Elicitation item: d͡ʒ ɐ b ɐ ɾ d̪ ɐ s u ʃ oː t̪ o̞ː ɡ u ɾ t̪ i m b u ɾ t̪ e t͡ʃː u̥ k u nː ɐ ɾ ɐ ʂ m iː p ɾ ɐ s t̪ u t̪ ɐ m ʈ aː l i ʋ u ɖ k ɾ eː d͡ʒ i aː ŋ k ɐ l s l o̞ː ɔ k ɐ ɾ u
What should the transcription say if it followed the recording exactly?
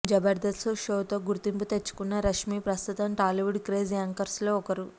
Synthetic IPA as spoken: d͡ʒ ɐ b ɐ ɾ d̪ ɐ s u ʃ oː t̪ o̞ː ɡ u ɾ t̪ i m p u t̪ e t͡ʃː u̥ k u nː ɐ ɾ ɐ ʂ m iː p ɾ ɐ s t̪ u t̪ ɐ m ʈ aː l i ʋ u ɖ k ɾ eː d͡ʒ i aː ŋ k ɐ ɾ s l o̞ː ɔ k ɐ ɾ u

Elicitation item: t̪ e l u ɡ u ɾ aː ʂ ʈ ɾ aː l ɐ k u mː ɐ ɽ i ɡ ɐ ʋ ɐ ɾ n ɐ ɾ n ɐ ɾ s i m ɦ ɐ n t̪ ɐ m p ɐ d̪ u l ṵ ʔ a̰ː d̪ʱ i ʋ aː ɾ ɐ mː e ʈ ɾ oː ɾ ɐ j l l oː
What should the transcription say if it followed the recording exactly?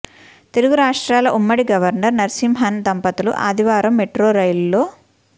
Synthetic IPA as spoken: t̪ e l u ɡ u ɾ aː ʂ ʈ ɾ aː l ɐ ʔ u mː ɐ ɽ i ɡ ɐ ʋ ɐ ɾ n ɐ ɾ n ɐ ɾ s i m ɦ ɐ n d̪ ɐ m p ɐ t̪ u l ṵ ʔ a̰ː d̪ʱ i ʋ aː ɾ ɐ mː e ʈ ɾ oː ɾ ɐ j l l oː

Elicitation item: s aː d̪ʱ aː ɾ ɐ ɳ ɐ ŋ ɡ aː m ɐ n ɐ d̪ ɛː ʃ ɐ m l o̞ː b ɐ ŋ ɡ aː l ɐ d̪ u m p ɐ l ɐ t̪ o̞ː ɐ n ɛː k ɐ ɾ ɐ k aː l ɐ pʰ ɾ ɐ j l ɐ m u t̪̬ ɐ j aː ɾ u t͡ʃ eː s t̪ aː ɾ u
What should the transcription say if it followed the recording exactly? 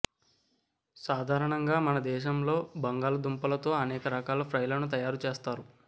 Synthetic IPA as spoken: s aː d̪ʱ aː ɾ ɐ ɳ ɐ ŋ ɡ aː m ɐ n ɐ d̪ ɛː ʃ ɐ m l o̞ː b ɐ ŋ ɡ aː l ɐ d̪ u m p ɐ l ɐ t̪ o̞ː ɐ n ɛː k ɐ ɾ ɐ k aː l ɐ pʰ ɾ ɐ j l ɐ n u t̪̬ ɐ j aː ɾ u t͡ʃ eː s t̪ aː ɾ u

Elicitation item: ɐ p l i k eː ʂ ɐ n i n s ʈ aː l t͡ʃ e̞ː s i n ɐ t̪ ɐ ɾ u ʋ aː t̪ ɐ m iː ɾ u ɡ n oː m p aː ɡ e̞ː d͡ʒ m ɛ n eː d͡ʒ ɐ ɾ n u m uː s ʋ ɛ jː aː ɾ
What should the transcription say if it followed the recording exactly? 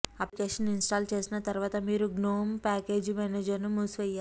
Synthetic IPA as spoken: ɐ p l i k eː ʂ ɐ n i n s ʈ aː l t͡ʃ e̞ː s i n ɐ t̪ ɐ ɾ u ʋ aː t̪ ɐ m iː ɾ u ɡ n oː m p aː k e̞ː d͡ʒ m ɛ n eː d͡ʒ ɐ ɾ n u m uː s ʋ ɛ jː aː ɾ

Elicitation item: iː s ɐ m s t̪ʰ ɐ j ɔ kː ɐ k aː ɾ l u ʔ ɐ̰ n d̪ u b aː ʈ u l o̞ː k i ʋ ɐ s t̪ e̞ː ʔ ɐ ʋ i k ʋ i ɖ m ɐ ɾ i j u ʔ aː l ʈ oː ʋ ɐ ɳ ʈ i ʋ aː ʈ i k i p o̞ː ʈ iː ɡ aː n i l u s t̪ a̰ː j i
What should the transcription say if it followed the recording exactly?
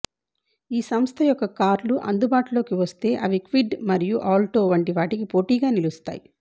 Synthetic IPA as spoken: iː s ɐ m s t̪ʰ ɐ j ɔ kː ɐ k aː ɾ l u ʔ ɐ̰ n d̪ u b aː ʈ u l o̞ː k i ʋ ɐ s t̪ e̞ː ʔ ɐ ʋ i k ʋ i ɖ m ɐ ɾ i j u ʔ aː l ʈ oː ʋ ɐ ɳ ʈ i ʋ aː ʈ i k i p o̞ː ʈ iː ɡ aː n i l u s t̪ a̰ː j i

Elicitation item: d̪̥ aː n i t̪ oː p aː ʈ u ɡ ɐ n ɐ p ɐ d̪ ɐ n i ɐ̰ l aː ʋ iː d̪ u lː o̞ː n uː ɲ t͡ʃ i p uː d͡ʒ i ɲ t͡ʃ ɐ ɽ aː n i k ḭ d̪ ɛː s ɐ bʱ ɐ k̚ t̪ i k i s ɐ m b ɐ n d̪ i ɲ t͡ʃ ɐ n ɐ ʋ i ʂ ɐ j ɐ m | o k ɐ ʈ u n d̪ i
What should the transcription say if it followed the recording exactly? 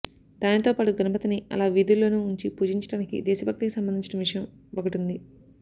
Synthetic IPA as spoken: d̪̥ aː n i t̪ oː p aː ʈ u ɡ ɐ n ɐ p ɐ t̪ ɐ n i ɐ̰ l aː ʋ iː d̪ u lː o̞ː n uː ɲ t͡ʃ i p uː d͡ʒ i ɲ t͡ʃ ɐ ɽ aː n i k ḭ d̪ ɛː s ɐ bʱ ɐ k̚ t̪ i k i s ɐ m b ɐ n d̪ i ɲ t͡ʃ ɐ n ɐ ʋ i ʂ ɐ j ɐ m | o k ɐ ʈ u n d̪ i

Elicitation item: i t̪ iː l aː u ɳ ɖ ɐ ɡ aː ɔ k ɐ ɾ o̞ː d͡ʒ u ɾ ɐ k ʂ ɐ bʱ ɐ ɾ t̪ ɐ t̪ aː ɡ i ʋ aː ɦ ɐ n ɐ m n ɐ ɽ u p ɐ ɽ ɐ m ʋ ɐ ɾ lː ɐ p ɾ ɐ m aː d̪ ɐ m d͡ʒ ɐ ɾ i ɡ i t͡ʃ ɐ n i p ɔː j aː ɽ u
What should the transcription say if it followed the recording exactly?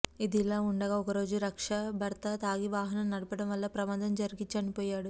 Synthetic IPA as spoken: i d̪ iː l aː u ɳ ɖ ɐ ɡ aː ɔ k ɐ ɾ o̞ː d͡ʒ u ɾ ɐ k ʂ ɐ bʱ ɐ ɾ t̪ ɐ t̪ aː ɡ i ʋ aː ɦ ɐ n ɐ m n ɐ ɽ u p ɐ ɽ ɐ m ʋ ɐ lː ɐ p ɾ ɐ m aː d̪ ɐ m d͡ʒ ɐ ɾ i ɡ i t͡ʃ ɐ n i p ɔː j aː ɽ u

